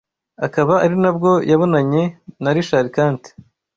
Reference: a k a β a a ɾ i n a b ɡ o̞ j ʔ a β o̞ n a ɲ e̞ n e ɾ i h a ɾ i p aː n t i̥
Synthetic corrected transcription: a k a β a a ɾ i n a b ɡ o̞ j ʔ a β o̞ n a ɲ e̞ n a ɾ i ʃ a ɾ i k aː n t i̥